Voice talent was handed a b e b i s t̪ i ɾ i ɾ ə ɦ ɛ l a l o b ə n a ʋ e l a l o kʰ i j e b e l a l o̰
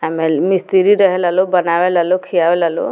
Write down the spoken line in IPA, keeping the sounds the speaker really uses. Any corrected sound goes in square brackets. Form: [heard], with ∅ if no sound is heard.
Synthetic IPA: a [m] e [m] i s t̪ i ɾ i ɾ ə ɦ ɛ l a l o b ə n a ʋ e l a l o kʰ i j [a] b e l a l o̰